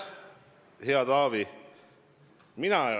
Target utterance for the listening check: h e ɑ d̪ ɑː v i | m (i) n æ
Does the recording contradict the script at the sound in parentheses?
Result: no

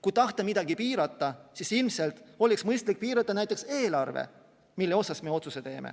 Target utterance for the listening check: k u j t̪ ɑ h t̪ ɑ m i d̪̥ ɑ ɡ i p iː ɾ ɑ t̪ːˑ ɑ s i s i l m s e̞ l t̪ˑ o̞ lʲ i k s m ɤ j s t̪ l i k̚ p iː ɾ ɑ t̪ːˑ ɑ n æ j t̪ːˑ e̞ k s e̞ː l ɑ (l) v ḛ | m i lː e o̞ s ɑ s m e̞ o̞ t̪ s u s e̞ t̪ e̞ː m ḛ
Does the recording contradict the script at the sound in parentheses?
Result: yes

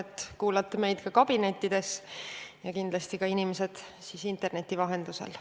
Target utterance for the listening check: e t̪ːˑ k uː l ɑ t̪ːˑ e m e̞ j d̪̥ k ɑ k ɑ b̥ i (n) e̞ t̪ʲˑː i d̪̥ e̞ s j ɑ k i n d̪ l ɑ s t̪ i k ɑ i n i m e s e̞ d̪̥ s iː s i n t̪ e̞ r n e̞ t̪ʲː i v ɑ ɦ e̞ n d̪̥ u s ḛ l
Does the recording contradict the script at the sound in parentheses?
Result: no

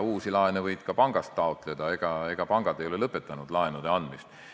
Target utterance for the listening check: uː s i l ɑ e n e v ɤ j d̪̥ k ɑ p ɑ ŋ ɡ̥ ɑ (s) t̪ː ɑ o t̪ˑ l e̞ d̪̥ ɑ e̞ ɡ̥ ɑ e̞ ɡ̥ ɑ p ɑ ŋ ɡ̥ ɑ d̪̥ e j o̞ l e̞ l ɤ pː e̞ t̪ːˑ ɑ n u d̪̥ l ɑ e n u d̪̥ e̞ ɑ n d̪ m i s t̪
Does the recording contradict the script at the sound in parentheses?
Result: no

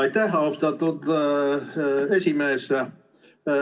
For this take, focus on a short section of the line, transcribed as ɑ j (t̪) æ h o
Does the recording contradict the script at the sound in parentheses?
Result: no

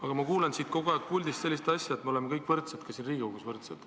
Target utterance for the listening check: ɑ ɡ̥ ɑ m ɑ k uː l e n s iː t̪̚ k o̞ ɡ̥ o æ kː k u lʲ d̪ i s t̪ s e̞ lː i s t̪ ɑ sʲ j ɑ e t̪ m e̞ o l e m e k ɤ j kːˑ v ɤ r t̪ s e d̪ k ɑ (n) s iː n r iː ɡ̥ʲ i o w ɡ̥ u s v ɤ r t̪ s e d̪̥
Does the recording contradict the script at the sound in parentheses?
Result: yes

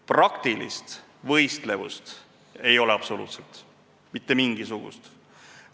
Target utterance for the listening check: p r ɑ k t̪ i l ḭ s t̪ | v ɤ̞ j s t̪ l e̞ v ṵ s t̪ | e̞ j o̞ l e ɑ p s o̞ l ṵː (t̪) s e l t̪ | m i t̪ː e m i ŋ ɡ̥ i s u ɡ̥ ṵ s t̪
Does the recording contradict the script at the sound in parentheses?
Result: no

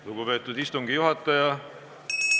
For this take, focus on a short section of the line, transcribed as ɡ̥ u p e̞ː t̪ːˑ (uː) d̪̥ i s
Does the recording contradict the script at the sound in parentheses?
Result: yes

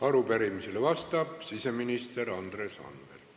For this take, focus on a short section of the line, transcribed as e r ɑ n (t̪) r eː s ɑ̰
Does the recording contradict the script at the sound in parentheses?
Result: yes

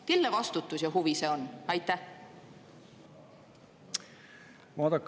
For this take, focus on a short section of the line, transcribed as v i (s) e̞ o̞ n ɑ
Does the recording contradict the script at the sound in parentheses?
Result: no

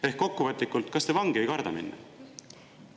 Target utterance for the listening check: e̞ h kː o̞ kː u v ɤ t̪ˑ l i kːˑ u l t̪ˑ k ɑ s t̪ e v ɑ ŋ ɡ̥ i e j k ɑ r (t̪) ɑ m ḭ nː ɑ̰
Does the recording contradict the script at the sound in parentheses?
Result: yes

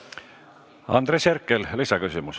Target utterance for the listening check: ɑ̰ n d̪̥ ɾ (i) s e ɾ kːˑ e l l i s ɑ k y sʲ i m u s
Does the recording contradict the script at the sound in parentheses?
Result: yes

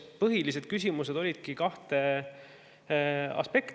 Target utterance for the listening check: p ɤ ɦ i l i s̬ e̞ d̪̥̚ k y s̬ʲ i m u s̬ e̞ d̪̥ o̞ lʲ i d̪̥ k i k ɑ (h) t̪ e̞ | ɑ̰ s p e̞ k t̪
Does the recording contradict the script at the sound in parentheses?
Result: no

